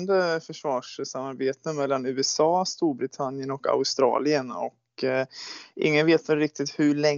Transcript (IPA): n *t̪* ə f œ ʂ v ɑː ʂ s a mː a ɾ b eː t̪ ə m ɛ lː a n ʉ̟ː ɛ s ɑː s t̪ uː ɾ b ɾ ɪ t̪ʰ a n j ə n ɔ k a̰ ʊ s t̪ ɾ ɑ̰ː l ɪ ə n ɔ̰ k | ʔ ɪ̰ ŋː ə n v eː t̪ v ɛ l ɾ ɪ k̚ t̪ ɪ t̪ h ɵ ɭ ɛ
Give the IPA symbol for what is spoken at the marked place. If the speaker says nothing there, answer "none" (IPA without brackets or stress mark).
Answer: d̪